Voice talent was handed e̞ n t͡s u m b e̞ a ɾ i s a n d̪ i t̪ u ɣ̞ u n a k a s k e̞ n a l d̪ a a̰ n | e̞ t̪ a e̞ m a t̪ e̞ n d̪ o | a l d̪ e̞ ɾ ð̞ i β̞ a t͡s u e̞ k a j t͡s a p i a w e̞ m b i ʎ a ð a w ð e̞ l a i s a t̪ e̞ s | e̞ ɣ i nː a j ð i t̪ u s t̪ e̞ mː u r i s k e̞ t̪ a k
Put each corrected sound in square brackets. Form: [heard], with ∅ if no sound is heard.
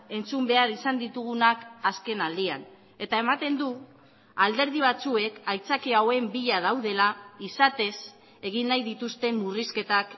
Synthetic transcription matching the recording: e̞ n t͡s u m b e̞ a ɾ i s a n d̪ i t̪ u ɣ̞ u n a k a s k e̞ n a l d̪ [i] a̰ n | e̞ t̪ a e̞ m a t̪ e̞ n d̪ [u] | a l d̪ e̞ ɾ ð̞ i β̞ a t͡s u e̞ k a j t͡s a [k] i a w e̞ m b i ʎ a ð a w ð e̞ l a i s a t̪ e̞ s | e̞ ɣ i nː a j ð i t̪ u s t̪ e̞ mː u r i s k e̞ t̪ a k